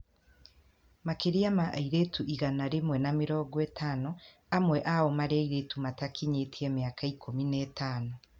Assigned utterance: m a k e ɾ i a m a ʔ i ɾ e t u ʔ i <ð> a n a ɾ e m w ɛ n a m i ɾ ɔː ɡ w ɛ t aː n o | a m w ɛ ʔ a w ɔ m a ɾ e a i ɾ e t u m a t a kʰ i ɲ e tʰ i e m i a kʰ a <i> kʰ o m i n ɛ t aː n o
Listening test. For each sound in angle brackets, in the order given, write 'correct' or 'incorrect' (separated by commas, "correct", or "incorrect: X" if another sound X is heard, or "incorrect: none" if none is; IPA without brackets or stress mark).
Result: incorrect: ɣ, correct